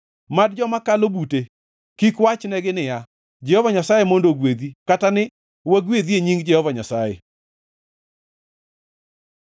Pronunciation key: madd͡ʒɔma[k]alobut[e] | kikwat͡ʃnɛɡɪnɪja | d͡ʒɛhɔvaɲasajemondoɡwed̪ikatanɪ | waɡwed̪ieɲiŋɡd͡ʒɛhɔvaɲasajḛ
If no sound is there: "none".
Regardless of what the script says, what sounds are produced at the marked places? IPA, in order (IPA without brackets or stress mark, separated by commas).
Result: k, e